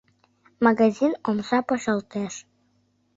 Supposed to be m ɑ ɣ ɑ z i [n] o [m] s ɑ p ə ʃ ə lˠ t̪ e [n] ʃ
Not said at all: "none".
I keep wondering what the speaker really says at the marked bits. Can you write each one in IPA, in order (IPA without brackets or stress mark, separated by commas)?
n, m, none